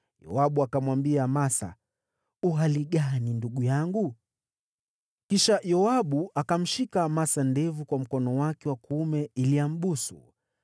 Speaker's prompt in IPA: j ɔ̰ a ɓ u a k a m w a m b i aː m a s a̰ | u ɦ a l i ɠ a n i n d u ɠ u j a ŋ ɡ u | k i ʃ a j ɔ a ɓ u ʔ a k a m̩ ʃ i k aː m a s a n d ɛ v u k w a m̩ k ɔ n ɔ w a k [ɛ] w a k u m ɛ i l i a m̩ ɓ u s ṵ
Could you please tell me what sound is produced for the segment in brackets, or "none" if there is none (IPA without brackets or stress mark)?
ɛ